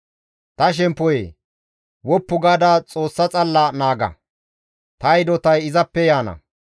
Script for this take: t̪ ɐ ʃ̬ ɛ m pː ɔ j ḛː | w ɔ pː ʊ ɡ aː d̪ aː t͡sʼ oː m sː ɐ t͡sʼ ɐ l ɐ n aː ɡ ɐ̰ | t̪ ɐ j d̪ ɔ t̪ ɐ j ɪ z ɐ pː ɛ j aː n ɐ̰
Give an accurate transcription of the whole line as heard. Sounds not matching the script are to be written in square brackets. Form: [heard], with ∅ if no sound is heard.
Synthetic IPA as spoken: t̪ ɐ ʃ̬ ɛ m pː ɔ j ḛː | w ɔ pː ʊ ɡ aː d̪ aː t͡sʼ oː [∅] sː ɐ t͡sʼ ɐ [lː] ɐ n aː ɡ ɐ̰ | t̪ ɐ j d̪ ɔ t̪ ɐ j ɪ z ɐ pː ɛ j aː n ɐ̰